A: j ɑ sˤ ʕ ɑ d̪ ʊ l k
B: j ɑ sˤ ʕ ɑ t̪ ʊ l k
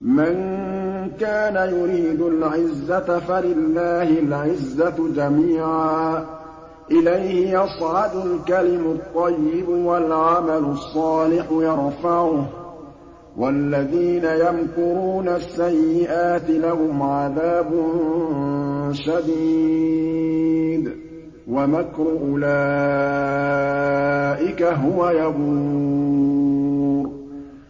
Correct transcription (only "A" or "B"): A